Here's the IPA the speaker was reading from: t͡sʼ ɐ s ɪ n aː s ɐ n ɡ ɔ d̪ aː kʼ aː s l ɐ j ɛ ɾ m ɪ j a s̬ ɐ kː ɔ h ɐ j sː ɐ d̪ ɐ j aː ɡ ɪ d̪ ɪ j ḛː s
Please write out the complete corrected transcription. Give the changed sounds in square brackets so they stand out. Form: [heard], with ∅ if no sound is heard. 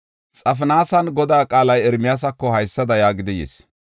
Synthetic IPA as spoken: t͡sʼ ɐ [f] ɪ n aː s ɐ n ɡ ɔ d̪ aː kʼ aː [∅] l ɐ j ɛ ɾ m ɪ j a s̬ ɐ kː ɔ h ɐ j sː ɐ d̪ ɐ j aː ɡ ɪ d̪ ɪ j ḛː s